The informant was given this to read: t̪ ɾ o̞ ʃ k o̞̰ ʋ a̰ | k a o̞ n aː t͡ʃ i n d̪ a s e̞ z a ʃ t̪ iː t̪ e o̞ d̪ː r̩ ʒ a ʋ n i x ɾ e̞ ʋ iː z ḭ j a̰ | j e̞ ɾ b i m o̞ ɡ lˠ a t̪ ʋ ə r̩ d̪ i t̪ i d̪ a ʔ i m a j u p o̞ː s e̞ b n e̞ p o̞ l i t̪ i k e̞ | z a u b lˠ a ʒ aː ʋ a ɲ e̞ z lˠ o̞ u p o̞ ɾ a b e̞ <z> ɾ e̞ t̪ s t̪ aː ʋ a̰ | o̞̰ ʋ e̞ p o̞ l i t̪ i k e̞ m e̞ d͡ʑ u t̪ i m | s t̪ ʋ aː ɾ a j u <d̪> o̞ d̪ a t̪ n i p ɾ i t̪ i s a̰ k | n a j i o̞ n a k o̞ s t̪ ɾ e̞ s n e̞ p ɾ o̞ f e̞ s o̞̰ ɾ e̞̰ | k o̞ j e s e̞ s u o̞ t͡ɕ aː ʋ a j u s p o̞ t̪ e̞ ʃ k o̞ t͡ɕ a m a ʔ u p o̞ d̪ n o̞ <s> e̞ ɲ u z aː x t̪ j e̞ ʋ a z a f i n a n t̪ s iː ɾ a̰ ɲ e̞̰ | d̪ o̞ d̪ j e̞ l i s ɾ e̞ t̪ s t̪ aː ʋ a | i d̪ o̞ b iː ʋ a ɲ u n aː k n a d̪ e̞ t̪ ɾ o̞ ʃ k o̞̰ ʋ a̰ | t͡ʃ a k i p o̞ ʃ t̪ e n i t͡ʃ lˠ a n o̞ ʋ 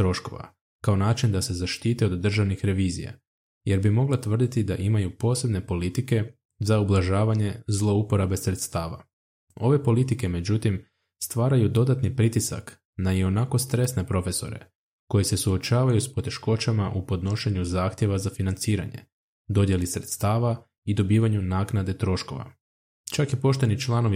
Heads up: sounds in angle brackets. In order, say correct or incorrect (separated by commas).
incorrect, correct, incorrect